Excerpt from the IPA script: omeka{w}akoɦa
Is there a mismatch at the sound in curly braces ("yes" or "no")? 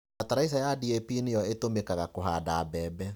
yes